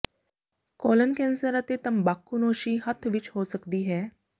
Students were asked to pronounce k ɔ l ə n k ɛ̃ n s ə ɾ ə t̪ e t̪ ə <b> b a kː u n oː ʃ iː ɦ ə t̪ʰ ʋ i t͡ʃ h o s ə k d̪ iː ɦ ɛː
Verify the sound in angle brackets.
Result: incorrect: m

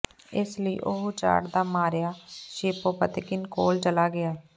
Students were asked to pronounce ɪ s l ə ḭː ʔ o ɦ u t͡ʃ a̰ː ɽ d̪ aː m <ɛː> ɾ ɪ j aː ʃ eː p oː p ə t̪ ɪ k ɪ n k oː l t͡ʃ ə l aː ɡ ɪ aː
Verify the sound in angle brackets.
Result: incorrect: aː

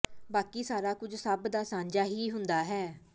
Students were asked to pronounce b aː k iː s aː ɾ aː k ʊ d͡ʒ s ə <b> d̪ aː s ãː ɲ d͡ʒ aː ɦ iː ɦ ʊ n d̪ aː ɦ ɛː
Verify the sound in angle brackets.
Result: correct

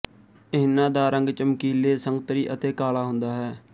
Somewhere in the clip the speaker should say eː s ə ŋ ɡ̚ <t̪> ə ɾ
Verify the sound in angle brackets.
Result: correct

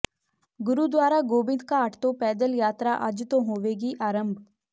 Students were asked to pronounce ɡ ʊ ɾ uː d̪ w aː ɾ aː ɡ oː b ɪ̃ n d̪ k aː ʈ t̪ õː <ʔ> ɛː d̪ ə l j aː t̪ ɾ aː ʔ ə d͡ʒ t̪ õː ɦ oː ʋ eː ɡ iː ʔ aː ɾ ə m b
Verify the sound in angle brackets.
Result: incorrect: p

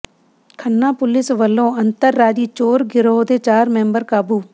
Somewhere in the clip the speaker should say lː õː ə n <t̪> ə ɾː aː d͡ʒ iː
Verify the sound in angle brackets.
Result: correct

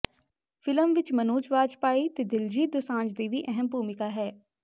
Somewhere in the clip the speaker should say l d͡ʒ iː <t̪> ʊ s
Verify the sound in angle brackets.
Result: incorrect: d̪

